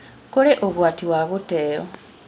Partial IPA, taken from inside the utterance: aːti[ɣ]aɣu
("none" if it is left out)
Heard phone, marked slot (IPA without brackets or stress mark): w